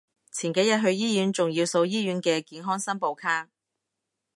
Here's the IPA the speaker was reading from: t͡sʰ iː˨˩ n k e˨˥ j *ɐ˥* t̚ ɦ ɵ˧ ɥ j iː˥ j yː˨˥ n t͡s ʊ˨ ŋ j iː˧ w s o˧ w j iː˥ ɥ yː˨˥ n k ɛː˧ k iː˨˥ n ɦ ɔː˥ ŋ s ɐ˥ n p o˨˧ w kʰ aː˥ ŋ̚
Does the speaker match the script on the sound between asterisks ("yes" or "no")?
no